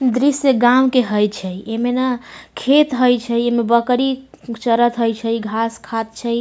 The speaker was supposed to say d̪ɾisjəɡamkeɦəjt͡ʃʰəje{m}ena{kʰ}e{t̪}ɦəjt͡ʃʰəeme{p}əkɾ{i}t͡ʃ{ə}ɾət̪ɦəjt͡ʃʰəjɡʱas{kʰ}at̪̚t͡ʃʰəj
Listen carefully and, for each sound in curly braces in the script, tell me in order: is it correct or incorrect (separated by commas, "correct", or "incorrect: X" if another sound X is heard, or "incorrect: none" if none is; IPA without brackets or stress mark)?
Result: correct, correct, correct, incorrect: b, correct, correct, correct